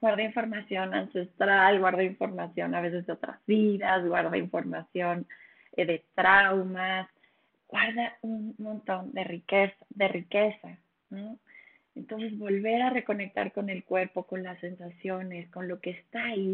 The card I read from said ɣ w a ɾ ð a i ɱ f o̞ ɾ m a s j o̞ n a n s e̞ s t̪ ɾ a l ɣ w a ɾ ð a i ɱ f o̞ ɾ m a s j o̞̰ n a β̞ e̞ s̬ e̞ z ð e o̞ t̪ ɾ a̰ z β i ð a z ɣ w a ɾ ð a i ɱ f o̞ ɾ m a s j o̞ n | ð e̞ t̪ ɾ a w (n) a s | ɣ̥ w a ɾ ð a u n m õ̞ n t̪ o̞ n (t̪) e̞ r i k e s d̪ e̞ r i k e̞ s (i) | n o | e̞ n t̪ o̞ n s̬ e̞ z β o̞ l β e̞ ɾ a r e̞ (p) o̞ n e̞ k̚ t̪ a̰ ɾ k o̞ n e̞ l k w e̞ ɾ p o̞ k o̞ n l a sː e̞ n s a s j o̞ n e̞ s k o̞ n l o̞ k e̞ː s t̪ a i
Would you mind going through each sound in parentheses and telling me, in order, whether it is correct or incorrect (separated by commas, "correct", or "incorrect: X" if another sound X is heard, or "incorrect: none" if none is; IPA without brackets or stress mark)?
incorrect: m, incorrect: d̪, incorrect: a, incorrect: k